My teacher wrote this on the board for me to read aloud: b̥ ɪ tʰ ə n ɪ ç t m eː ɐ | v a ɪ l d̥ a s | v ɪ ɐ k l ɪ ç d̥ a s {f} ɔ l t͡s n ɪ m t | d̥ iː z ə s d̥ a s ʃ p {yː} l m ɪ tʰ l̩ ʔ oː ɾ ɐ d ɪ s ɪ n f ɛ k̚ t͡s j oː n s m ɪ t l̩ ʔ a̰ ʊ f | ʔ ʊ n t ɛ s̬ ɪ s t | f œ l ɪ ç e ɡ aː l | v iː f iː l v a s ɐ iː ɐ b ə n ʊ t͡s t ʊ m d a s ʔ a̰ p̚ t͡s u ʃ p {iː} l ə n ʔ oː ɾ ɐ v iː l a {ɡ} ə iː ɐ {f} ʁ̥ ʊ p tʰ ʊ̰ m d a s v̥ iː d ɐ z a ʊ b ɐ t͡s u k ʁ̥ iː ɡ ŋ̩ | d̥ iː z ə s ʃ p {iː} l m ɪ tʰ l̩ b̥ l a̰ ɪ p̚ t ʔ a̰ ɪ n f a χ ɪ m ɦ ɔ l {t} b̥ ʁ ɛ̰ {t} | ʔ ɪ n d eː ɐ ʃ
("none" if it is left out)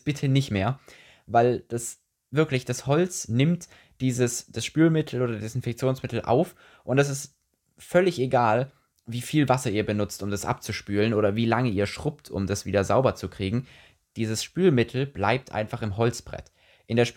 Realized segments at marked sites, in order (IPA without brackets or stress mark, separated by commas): h, yː, yː, ŋ, ʃ, yː, t͡s, t